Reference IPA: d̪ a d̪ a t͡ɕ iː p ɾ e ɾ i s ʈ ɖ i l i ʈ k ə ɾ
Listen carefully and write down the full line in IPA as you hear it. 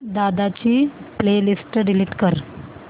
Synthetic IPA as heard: d̪ a d̪ a t͡ɕ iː p l e l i s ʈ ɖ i l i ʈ k ə ɾ